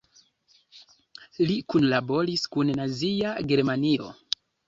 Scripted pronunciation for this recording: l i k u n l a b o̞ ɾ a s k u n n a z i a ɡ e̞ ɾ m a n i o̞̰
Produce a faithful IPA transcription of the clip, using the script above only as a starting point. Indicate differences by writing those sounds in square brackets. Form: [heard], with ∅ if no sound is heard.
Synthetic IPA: l i k u n l a b o̞ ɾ [i] s k u n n a z i a ɡ e̞ ɾ m a n i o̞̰